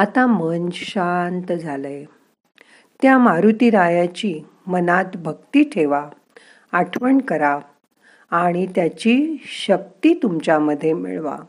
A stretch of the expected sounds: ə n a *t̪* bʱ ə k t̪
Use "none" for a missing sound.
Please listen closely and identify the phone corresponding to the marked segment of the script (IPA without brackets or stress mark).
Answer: t̪